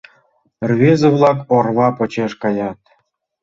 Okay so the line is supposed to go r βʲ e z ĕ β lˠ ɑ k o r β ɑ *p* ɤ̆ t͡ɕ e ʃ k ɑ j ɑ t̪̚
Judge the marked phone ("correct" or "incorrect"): correct